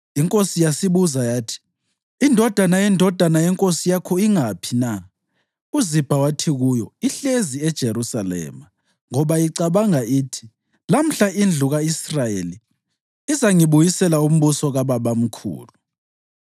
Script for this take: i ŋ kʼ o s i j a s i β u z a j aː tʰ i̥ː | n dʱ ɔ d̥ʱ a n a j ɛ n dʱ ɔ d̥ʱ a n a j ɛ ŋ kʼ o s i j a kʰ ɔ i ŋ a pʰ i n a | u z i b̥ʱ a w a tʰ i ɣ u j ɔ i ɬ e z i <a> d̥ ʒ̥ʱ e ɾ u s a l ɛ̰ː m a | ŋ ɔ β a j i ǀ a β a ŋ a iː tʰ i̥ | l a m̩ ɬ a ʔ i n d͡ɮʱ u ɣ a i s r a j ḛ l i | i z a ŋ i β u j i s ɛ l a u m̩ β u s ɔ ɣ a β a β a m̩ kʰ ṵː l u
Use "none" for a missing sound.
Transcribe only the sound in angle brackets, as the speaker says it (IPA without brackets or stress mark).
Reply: ɛ